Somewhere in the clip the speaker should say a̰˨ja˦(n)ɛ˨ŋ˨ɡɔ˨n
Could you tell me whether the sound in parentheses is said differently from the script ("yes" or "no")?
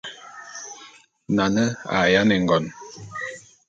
no